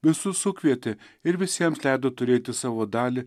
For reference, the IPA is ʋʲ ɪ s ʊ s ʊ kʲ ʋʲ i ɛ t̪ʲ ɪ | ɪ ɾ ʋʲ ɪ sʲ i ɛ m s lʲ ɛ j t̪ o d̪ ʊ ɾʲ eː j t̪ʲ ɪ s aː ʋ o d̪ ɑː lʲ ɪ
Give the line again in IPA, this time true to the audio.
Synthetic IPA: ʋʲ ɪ s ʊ s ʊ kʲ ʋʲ i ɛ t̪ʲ ɪ | ɪ ɾ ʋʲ ɪ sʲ i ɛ m s lʲ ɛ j d̪ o t̪ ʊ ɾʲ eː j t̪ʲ ɪ s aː ʋ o d̪ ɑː lʲ ɪ